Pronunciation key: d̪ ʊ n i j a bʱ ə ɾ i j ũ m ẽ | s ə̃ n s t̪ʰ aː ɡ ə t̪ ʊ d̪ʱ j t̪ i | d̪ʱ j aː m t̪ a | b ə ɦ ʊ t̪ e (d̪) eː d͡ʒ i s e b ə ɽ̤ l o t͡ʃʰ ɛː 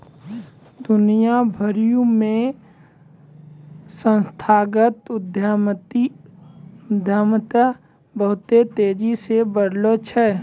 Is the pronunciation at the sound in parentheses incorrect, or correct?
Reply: incorrect